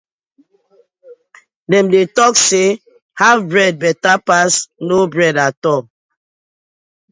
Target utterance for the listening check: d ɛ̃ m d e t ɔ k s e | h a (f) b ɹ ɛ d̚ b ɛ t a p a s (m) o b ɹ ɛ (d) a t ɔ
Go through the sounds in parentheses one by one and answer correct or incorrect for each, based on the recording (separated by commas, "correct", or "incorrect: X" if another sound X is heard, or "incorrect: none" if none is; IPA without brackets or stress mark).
incorrect: v, incorrect: n, correct